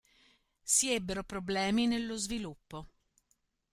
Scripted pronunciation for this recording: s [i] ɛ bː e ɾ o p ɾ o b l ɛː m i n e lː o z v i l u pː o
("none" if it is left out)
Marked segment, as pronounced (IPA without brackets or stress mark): i